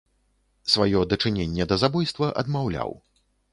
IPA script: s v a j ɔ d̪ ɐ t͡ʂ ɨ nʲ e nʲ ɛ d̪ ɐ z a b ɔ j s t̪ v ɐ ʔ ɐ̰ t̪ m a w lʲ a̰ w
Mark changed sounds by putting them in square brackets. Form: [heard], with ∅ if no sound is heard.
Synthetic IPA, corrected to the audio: s v a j ɔ d̪ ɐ t͡ʂ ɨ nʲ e [nʲː] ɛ d̪ ɐ z a b ɔ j s t̪ v ɐ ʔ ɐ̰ [d̪] m a w lʲ a̰ w